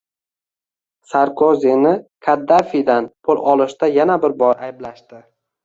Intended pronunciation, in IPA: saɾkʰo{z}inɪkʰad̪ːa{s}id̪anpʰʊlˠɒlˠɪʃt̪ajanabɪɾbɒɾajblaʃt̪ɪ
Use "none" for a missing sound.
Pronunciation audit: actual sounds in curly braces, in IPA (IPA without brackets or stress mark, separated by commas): z, f